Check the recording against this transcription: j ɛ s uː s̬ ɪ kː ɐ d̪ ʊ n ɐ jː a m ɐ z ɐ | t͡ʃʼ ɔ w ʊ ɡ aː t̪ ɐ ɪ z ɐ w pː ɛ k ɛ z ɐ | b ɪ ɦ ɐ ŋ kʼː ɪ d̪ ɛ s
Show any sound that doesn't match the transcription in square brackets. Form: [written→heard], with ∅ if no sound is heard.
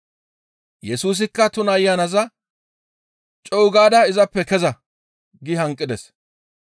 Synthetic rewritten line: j ɛ s uː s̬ ɪ kː ɐ [d̪→t̪] ʊ n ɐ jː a [m→n] ɐ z ɐ | t͡ʃʼ ɔ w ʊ ɡ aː [t̪→d̪] ɐ ɪ z ɐ [w→∅] pː ɛ k ɛ z ɐ | [b→ɡ] ɪ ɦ ɐ ŋ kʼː ɪ d̪ ɛ s